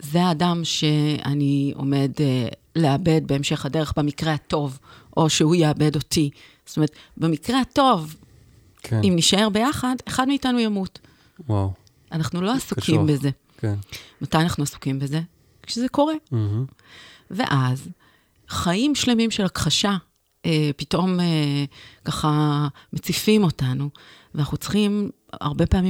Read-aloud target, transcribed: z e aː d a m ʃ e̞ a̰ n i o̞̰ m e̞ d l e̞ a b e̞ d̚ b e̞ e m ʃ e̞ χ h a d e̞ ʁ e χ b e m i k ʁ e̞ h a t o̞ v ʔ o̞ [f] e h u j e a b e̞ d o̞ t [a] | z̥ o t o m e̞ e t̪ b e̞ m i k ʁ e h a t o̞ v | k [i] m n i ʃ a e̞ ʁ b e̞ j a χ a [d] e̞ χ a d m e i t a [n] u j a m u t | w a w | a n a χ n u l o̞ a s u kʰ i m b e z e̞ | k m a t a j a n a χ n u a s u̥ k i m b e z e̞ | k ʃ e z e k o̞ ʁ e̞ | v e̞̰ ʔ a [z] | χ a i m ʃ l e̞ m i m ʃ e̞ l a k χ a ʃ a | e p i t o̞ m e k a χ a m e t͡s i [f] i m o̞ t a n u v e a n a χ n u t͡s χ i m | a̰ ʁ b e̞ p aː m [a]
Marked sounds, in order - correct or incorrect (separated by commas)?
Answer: incorrect, incorrect, correct, correct, correct, correct, correct, incorrect